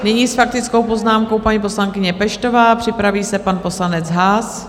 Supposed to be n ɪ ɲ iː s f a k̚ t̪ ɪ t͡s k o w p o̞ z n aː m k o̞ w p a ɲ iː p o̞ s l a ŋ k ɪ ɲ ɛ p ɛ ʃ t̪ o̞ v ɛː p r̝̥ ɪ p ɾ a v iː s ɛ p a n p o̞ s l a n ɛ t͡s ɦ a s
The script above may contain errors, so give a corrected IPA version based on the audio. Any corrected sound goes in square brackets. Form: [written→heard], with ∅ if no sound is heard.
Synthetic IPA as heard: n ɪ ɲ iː s f a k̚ t̪ ɪ t͡s k o w p o̞ z n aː m k o̞ w p a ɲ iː p o̞ s l a ŋ k ɪ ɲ ɛ p ɛ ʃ t̪ o̞ v [ɛː→aː] p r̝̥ ɪ p ɾ a v iː s ɛ p a n p o̞ s l a n ɛ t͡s ɦ a s